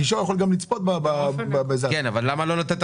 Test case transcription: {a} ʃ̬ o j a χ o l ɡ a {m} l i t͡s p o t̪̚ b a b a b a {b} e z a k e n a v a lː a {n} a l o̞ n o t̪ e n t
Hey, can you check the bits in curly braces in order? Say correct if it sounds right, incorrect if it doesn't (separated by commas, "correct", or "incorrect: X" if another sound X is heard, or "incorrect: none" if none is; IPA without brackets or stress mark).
incorrect: i, correct, correct, incorrect: m